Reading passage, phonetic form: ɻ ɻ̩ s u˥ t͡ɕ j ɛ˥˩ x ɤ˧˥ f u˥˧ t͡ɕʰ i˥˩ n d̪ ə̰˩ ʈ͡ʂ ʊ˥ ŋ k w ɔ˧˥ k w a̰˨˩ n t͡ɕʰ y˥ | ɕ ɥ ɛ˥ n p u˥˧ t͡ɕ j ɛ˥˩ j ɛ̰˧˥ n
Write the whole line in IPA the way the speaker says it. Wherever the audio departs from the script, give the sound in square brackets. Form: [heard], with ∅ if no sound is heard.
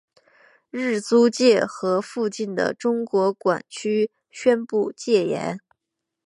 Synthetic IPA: ɻ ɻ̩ [t͡s] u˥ t͡ɕ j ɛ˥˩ x ɤ˧˥ f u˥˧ [t͡ɕ] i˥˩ n d̪ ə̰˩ ʈ͡ʂ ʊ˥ ŋ k w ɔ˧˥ k w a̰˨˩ n t͡ɕʰ y˥ | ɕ ɥ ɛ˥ n p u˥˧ t͡ɕ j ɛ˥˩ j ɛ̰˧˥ n